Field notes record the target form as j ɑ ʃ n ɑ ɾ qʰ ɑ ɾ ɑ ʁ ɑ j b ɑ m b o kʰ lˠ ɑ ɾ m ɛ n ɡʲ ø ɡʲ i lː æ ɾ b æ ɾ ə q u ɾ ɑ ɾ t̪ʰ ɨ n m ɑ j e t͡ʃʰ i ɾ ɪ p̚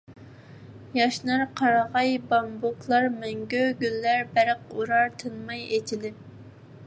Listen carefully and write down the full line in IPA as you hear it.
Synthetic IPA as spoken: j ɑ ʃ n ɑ ɾ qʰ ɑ ɾ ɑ ʁ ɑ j b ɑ m b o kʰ lˠ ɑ ɾ m ɛ ŋ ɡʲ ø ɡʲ y lː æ ɾ b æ ɾ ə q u ɾ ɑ ɾ t̪ʰ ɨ n m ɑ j e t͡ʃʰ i l ɪ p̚